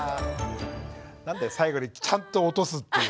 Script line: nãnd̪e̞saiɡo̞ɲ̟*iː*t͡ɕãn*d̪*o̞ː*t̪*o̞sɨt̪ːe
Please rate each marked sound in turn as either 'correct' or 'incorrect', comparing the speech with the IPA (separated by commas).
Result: incorrect, incorrect, correct